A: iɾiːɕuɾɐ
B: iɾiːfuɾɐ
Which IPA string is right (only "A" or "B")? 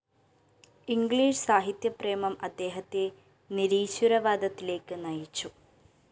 A